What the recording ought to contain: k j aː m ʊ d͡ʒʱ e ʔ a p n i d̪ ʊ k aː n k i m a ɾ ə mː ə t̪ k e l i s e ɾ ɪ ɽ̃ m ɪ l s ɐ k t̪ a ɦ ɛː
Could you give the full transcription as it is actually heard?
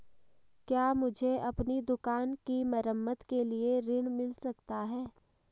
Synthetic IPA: k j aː m ʊ d͡ʒʱ e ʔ ɐ p n i d̪ ʊ k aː n k i m ɐ ɾ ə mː ə t̪ k e l i e ɾ ɪ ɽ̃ m ɪ l s ɐ k t̪ a ɦ ɛː